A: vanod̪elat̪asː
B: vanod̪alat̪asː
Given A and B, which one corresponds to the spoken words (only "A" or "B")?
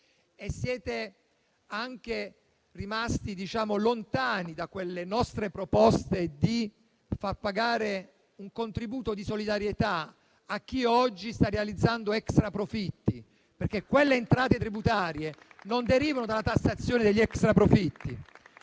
B